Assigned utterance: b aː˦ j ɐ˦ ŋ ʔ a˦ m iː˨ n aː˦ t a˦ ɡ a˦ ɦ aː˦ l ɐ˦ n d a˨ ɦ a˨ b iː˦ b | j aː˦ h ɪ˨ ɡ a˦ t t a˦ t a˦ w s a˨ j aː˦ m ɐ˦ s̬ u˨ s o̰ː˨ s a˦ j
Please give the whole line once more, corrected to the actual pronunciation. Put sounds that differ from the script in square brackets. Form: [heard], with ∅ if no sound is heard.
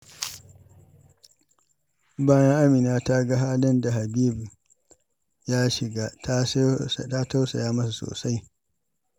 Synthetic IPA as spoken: b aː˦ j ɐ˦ ŋ ʔ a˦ m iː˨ n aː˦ t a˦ ɡ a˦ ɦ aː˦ l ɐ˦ n d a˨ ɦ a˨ b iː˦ b | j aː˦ [ʃ] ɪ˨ ɡ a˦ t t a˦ t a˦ w s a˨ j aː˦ m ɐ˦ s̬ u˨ s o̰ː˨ s a˦ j